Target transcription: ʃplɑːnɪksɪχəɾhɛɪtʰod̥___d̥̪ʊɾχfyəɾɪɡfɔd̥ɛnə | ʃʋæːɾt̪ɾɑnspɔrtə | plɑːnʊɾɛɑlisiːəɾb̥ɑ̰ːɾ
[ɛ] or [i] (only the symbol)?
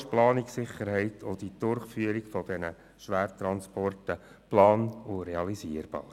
i